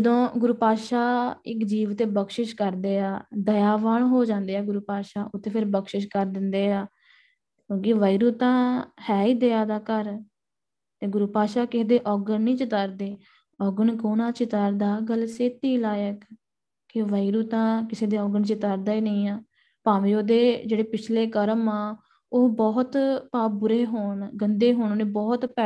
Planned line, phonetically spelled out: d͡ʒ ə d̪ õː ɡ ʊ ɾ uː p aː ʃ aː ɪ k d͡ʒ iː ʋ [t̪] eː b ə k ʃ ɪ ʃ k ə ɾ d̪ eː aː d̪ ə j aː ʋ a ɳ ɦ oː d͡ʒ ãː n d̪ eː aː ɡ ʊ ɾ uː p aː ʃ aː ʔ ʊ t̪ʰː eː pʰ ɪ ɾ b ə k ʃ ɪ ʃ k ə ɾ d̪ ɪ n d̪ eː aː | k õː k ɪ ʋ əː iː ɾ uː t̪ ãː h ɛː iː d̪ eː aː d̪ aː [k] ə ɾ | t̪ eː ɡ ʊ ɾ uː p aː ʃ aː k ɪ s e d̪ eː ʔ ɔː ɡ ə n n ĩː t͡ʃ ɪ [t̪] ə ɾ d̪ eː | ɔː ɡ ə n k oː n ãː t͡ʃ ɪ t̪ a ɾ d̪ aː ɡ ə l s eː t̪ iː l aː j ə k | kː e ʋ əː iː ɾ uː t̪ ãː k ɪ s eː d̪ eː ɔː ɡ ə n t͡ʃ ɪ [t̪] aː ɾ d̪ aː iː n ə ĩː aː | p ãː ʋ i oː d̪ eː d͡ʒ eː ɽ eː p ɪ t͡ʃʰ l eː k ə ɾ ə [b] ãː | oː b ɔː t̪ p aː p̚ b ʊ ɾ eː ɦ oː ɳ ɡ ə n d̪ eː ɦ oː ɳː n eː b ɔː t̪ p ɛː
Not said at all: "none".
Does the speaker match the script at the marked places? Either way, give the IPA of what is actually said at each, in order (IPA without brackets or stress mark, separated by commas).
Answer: t̪, k, t̪, t̪, m